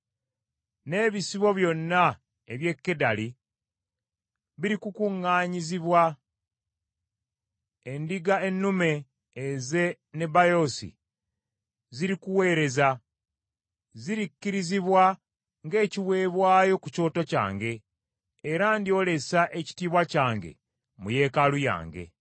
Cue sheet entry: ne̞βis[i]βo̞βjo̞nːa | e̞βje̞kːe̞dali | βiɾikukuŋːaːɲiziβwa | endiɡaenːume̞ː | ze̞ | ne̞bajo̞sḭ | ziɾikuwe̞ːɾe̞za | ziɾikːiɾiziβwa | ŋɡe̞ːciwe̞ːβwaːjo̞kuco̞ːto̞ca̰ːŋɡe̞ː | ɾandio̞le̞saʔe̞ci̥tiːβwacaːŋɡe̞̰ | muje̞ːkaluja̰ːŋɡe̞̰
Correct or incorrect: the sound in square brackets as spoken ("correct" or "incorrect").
correct